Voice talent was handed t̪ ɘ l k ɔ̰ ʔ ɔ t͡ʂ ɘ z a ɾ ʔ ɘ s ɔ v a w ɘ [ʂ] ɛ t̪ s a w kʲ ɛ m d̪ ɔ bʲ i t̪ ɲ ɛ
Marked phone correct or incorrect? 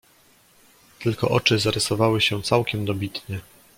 incorrect